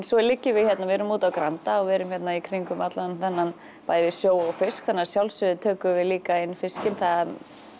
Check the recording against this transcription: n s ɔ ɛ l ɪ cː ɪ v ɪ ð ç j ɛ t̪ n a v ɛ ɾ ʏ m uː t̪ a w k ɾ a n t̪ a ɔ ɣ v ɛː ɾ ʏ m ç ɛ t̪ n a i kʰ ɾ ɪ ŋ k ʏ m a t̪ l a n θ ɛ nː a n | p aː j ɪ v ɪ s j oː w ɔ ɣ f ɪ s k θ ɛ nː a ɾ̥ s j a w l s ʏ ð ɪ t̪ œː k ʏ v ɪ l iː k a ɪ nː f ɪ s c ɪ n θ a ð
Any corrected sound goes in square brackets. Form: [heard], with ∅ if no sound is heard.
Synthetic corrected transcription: n s ɔ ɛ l ɪ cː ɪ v ɪ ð ç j ɛ t̪ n a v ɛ ɾ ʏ m uː t̪ a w k ɾ a n t̪ a ɔ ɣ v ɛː ɾ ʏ m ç ɛ t̪ n a i kʰ ɾ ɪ ŋ k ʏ m a t̪ l a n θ ɛ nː a n | p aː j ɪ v ɪ s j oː w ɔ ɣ f ɪ s k θ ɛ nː a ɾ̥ s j a w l s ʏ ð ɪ [t̪ʰ] œː k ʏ v ɪ l iː k a ɪ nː f ɪ s c ɪ n θ a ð